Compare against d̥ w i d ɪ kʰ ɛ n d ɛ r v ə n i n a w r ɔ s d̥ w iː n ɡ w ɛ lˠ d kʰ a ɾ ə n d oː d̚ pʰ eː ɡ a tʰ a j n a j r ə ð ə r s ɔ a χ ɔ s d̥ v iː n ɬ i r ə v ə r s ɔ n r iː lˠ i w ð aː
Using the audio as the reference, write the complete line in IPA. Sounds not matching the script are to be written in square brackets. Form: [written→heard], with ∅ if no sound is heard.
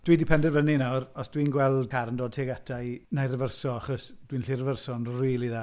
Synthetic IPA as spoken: d̥ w i d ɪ [kʰ→pʰ] ɛ n d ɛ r v ə n i n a w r ɔ s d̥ w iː n ɡ w ɛ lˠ d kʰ a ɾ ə n d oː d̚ [pʰ→tʰ] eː ɡ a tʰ a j n a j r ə [ð→v] ə r s ɔ a χ ɔ s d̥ [v→w] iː n ɬ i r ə v ə r s ɔ n r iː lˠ i [w→∅] ð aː